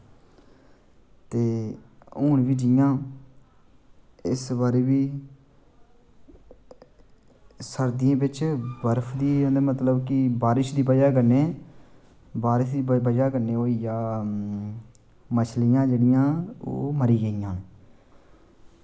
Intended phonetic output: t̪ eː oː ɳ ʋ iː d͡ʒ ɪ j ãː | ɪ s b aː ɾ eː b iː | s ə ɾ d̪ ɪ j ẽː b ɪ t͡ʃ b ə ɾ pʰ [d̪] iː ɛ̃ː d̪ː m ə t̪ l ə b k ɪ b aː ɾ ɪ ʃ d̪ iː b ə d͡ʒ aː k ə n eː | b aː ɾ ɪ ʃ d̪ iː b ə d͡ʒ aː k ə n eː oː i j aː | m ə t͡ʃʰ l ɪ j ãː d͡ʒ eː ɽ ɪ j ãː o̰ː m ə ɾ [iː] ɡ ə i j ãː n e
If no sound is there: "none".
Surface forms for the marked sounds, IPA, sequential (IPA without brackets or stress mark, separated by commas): d̪, iː